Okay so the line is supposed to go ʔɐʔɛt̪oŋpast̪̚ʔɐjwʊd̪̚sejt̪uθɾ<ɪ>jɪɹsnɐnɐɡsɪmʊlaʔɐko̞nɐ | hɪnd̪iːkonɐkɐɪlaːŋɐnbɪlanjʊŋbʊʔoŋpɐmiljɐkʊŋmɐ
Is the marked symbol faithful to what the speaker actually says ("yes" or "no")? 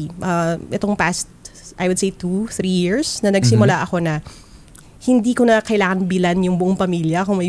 no